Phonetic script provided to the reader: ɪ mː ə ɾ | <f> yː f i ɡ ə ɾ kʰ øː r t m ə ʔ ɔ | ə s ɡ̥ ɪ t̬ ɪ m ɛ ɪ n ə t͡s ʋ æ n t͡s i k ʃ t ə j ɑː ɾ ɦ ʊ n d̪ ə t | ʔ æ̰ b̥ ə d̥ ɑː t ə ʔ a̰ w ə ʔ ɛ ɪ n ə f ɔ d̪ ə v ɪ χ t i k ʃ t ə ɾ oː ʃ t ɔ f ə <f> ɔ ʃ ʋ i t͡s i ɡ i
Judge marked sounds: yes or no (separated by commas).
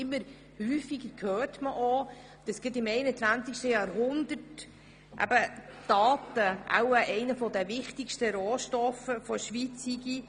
no, yes